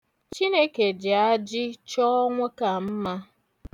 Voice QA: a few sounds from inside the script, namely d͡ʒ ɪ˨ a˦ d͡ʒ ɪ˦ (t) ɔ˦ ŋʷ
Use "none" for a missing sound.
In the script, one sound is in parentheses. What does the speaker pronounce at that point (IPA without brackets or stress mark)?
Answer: t͡ʃ